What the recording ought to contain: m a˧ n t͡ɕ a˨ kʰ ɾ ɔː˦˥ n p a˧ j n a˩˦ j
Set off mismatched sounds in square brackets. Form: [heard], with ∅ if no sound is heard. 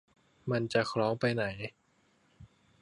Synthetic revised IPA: m a˧ n t͡ɕ a˨ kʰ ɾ ɔː˦˥ [ŋ] p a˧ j n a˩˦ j